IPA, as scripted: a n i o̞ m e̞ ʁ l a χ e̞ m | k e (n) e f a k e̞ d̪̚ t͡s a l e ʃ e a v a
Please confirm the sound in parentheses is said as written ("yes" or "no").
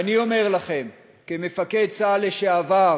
no